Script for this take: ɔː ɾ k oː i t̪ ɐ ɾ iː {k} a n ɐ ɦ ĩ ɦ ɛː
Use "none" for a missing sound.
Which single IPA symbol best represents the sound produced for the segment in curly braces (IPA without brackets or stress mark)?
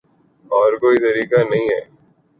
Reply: k